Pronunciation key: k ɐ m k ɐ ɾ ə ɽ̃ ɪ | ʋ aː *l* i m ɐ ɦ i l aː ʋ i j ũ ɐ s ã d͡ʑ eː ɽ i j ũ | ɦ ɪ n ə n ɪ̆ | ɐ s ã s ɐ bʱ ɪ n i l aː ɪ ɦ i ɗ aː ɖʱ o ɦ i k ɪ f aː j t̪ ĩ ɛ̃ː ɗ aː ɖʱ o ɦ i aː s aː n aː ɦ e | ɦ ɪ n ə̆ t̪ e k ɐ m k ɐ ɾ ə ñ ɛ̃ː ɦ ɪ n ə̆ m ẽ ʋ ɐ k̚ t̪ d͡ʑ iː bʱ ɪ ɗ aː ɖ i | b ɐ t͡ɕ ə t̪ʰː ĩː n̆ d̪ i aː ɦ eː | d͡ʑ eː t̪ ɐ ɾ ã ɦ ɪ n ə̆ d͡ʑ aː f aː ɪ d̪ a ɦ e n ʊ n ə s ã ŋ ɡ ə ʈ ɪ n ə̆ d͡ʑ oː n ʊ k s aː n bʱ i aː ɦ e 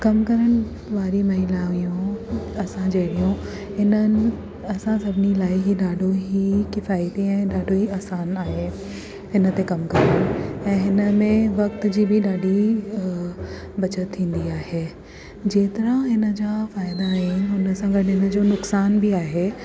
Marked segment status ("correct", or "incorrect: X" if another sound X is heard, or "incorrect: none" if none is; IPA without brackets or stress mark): incorrect: ɾ